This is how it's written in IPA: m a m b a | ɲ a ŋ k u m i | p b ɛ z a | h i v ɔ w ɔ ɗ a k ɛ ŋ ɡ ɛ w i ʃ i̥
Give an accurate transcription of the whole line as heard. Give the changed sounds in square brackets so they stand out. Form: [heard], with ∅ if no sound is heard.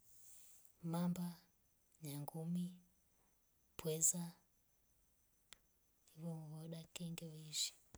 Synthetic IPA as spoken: m a m b a | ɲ a ŋ [ɡ] u m i | p [w] ɛ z a | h i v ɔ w ɔ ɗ a k ɛ ŋ ɡ ɛ w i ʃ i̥